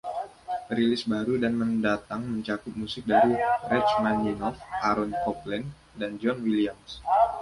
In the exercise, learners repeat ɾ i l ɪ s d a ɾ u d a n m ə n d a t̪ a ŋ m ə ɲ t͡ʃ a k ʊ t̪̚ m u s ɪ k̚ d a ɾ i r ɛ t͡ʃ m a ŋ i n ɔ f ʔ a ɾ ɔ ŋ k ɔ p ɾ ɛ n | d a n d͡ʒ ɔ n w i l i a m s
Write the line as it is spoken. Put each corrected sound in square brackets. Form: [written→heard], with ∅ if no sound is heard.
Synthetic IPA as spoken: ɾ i l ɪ s [d→b] a ɾ u d a n m ə n d a t̪ a ŋ m ə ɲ t͡ʃ a k ʊ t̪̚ m u s ɪ k̚ d a ɾ i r ɛ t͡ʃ m a [ŋ→n] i n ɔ f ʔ a ɾ ɔ [ŋ→n] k ɔ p [ɾ→l] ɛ n | d a n d͡ʒ ɔ n w i l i a m s